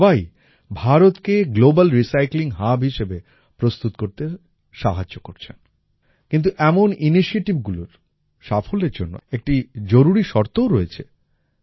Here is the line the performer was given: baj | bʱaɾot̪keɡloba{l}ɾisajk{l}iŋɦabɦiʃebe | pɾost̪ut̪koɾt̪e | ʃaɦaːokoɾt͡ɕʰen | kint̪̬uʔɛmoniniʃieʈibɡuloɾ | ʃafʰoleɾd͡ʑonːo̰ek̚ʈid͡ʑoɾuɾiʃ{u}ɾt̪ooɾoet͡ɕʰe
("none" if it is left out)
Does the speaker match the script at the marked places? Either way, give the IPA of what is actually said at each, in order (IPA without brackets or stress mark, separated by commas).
l, l, ɔ